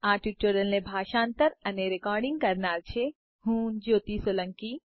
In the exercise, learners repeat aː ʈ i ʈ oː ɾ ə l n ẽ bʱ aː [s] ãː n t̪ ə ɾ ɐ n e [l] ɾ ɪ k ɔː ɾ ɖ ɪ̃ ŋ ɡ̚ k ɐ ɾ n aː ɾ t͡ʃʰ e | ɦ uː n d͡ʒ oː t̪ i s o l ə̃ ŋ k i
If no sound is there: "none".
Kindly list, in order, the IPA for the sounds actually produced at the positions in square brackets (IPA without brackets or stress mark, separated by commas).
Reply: ʃ, none